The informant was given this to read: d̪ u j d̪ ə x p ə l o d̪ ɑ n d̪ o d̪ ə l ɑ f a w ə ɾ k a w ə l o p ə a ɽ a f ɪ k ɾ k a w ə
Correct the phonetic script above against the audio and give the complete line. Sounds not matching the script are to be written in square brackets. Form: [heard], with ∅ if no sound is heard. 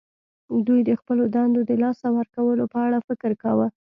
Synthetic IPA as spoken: d̪ u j d̪ ə x p ə l o d̪ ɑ n d̪ o d̪ ə l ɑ [s] a w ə ɾ k a w ə l o p ə a ɽ a f ɪ k ɾ k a w ə